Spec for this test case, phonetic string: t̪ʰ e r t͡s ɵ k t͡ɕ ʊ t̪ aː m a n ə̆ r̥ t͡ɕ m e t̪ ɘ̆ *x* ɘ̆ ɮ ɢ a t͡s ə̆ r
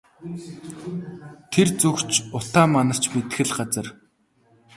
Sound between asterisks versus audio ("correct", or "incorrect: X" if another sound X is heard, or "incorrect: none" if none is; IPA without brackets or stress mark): correct